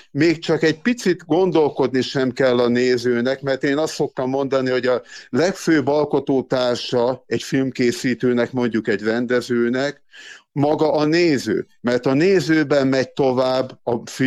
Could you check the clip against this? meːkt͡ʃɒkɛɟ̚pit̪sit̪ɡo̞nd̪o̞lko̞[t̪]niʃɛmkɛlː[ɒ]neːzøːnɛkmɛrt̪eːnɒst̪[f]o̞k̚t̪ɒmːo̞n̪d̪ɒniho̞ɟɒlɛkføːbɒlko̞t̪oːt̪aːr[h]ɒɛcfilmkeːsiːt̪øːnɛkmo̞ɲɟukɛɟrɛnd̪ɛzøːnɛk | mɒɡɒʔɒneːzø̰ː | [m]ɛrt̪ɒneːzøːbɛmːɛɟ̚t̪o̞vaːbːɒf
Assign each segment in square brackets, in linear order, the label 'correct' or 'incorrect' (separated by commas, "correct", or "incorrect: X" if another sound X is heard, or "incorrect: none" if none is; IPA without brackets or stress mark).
incorrect: d̪, correct, incorrect: s, incorrect: ʃ, correct